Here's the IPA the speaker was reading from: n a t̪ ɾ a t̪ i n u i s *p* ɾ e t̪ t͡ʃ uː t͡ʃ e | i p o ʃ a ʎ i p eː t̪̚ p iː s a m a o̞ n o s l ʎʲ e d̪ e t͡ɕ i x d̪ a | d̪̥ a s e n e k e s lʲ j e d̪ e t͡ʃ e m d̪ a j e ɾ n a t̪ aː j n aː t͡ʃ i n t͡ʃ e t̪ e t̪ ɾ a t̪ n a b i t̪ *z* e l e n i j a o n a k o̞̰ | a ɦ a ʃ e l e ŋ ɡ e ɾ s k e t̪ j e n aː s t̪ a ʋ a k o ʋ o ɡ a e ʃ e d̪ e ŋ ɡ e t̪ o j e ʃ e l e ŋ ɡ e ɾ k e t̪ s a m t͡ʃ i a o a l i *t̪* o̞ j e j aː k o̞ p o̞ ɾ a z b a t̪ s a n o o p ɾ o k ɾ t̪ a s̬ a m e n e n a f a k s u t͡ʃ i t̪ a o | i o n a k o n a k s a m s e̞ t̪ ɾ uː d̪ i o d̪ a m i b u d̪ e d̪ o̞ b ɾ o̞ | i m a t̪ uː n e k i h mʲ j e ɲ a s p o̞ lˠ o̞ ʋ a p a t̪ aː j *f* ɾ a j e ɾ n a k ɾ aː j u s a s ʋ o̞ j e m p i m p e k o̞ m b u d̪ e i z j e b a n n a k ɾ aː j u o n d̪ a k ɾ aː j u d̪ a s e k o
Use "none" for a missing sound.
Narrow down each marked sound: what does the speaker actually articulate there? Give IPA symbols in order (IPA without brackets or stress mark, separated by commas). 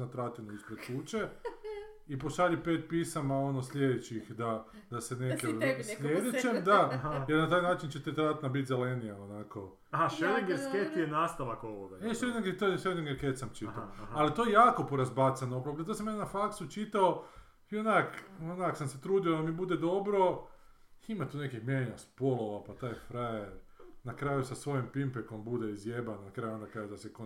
p, z, t̪, f